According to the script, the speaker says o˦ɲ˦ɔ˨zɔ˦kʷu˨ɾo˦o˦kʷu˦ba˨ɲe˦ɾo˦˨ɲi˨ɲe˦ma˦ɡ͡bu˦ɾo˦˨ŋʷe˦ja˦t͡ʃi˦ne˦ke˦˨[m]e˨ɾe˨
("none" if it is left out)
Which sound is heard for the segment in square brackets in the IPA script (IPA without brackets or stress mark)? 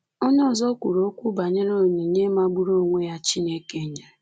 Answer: ɲ